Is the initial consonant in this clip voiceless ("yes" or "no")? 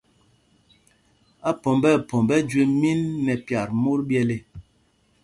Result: yes